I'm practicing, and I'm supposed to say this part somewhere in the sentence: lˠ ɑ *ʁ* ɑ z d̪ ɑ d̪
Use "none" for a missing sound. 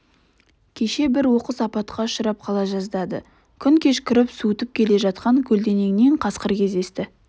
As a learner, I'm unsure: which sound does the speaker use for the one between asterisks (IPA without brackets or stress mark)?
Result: ʒ